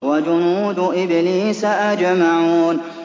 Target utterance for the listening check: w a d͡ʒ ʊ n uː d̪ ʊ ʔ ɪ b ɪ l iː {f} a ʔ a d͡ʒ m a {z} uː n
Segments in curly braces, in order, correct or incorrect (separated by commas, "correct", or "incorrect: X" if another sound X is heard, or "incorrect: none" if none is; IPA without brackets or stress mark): incorrect: s, incorrect: ʕ